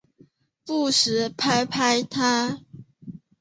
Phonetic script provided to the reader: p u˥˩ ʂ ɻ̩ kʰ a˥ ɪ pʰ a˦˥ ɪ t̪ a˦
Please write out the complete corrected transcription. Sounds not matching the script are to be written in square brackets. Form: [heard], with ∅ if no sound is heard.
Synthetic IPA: p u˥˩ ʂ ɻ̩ [pʰ] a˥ ɪ pʰ a˦˥ ɪ [t̪ʰ] a˦